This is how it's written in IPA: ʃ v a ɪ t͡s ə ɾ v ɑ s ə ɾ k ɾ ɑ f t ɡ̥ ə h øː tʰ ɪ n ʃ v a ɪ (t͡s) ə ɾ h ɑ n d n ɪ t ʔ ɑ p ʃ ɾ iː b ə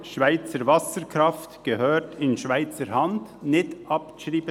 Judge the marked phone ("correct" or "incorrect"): correct